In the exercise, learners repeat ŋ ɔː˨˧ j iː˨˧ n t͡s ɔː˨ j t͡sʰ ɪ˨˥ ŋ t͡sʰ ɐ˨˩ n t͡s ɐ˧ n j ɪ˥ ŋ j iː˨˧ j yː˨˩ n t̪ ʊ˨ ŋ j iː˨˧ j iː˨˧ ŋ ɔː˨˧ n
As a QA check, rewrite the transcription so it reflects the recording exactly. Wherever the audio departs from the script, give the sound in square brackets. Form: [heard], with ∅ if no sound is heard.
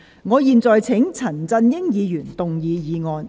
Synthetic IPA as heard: ŋ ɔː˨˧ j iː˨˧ n t͡s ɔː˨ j t͡sʰ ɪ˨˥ ŋ t͡sʰ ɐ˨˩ n t͡s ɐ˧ n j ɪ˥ ŋ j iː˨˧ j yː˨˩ n t̪ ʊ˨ ŋ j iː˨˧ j iː˨˧ ŋ ɔː˨˧ n